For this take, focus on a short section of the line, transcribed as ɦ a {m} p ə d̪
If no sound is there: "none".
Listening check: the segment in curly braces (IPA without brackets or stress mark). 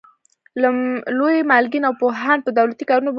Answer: n